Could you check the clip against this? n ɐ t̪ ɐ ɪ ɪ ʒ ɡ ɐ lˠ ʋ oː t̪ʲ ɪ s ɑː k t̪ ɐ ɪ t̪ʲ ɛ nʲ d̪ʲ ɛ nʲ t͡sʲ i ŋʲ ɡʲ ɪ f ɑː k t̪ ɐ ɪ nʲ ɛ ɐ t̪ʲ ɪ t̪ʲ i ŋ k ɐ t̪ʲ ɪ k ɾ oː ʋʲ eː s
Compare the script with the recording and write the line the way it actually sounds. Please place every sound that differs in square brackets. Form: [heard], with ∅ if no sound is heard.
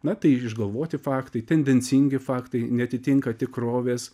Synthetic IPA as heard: n ɐ t̪ ɐ ɪ ɪ ʒ ɡ ɐ lˠ ʋ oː t̪ʲ ɪ [f] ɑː k t̪ ɐ ɪ t̪ʲ ɛ nʲ d̪ʲ ɛ nʲ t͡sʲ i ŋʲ ɡʲ ɪ f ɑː k t̪ ɐ ɪ nʲ ɛ ɐ t̪ʲ ɪ t̪ʲ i ŋ k ɐ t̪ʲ ɪ k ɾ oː ʋʲ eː s